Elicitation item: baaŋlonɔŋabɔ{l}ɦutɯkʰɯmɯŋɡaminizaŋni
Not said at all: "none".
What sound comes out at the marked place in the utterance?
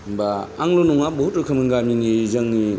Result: none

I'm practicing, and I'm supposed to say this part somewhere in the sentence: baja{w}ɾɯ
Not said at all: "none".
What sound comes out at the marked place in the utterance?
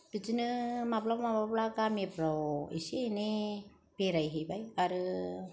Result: none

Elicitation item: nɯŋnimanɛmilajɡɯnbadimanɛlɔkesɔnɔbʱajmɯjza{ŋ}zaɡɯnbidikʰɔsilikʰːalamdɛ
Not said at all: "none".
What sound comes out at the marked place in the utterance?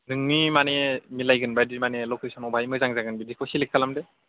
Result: ŋ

